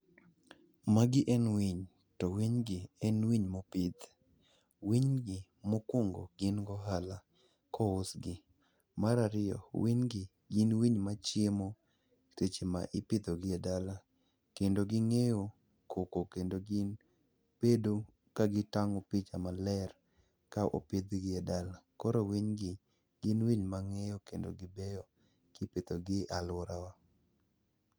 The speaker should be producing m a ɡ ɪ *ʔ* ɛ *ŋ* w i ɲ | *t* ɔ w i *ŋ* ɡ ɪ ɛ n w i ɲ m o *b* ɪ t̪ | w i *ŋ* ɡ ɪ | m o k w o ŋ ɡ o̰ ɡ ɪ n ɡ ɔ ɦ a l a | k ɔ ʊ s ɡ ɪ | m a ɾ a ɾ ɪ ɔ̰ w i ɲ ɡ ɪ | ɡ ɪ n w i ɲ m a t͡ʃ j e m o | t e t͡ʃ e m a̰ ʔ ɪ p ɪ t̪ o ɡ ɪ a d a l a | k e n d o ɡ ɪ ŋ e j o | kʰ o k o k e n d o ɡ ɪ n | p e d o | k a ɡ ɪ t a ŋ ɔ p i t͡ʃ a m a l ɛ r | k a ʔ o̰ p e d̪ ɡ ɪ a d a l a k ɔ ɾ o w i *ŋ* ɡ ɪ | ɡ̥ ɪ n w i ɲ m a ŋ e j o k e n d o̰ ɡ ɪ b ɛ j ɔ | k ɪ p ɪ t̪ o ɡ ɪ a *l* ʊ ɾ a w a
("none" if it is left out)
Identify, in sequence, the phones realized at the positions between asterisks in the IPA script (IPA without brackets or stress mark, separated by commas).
ʔ, n, t, ɲ, p, ɲ, ɲ, l